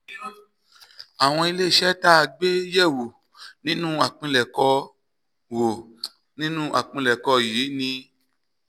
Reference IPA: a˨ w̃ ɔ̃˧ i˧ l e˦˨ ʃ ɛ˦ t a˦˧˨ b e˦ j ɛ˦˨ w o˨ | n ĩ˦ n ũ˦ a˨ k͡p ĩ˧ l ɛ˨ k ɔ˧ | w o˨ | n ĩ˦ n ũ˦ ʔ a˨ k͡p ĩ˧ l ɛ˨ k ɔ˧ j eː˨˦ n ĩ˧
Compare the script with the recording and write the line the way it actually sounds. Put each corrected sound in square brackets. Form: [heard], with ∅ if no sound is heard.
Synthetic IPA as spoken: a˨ w̃ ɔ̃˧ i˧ l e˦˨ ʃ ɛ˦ t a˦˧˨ [ɡ͡b] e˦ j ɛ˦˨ w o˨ | n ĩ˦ n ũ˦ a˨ k͡p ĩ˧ l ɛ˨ k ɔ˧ | w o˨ | n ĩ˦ n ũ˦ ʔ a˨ k͡p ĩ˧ l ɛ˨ k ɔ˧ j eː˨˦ n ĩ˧